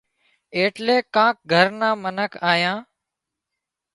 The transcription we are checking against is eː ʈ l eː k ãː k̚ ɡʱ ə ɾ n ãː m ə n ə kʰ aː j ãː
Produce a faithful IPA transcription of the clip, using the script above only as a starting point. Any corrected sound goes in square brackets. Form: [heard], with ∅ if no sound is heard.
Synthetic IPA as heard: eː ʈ l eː k ãː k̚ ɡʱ ə ɾ n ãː m ə n ə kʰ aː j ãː